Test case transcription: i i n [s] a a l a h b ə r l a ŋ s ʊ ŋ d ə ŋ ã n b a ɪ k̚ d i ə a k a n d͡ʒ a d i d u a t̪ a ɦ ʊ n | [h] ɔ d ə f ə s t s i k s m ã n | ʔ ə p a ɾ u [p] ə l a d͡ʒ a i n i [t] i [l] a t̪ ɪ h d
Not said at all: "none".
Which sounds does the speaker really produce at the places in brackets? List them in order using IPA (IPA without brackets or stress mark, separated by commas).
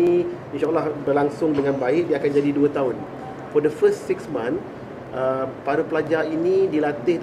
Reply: ʃ, f, p, d, l